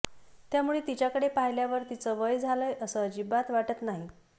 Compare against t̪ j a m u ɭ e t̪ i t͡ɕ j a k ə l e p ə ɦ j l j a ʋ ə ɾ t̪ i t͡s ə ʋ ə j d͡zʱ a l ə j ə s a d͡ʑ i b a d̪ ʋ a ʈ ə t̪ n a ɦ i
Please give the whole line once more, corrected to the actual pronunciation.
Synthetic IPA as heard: t̪ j a m u ɭ e t̪ i t͡ɕ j a k ə ɽ e p a ɦ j l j a ʋ ə ɾ t̪ i t͡s ə ʋ ə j d͡zʱ a l ə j ə s ə d͡ʑ i b a t̪ ʋ a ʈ ə t̪ n a ɦ i